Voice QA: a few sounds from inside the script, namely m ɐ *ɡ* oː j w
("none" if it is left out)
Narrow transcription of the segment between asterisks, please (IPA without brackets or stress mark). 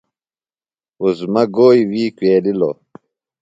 ɡ